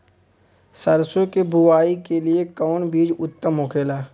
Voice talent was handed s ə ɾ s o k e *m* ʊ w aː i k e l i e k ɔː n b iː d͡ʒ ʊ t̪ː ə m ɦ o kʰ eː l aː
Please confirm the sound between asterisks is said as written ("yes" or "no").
no